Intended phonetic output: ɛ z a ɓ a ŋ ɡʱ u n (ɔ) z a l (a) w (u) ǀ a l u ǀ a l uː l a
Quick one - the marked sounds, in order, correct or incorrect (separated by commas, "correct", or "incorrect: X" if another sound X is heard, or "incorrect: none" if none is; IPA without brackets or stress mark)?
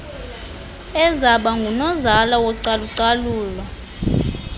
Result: correct, correct, incorrect: ɔ